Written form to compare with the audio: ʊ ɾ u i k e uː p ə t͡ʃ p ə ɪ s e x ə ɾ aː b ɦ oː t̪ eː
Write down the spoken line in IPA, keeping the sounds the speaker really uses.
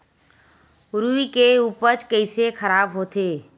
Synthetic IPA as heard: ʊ ɾ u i k e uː p ə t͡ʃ k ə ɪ s e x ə ɾ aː b ɦ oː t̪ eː